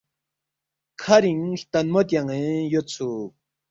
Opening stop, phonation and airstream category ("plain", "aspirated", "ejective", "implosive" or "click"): aspirated